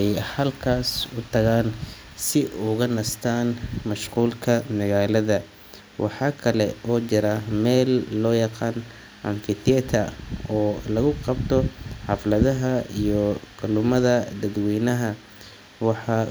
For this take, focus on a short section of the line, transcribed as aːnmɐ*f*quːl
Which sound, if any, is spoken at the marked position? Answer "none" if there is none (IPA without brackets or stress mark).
ʃ